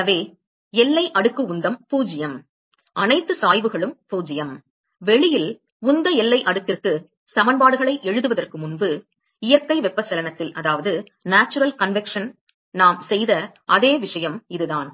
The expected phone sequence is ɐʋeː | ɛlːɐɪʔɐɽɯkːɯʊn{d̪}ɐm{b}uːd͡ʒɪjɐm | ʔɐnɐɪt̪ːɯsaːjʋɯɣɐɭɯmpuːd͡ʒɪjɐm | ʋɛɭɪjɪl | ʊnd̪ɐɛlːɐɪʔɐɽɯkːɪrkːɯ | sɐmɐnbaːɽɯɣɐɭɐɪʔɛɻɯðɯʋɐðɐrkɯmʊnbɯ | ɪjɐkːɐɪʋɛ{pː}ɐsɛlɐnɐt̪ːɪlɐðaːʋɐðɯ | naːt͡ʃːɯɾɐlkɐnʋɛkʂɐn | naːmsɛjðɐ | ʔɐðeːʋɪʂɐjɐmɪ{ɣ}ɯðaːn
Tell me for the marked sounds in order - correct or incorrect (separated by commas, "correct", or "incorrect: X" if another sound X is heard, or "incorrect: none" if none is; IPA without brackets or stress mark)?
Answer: correct, incorrect: p, correct, incorrect: ð